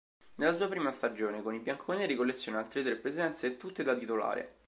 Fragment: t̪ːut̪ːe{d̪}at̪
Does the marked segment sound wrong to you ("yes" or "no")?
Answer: no